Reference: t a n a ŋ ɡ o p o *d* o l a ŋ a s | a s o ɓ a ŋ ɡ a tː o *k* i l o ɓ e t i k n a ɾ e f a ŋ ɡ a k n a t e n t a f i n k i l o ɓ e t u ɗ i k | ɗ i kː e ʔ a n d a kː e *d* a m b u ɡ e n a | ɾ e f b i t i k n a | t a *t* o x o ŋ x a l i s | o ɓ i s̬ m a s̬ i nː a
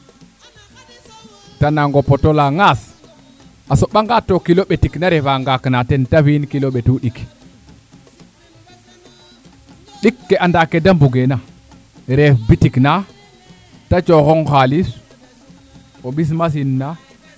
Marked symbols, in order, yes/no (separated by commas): no, yes, yes, no